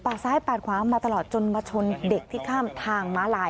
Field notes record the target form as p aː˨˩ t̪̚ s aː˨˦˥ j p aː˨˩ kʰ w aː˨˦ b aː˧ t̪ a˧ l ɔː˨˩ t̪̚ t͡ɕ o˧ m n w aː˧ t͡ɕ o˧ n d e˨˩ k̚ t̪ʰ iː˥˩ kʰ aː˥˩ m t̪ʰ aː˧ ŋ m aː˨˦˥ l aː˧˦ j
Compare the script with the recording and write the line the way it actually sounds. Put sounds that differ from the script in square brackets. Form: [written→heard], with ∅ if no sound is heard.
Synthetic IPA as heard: p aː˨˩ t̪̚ s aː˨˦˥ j p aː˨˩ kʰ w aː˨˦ [b→m] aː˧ t̪ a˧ l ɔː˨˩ t̪̚ t͡ɕ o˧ [m→∅] n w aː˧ [t͡ɕ→t͡ɕʰ] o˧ n d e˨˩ k̚ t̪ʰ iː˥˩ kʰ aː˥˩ m t̪ʰ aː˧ ŋ m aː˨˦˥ l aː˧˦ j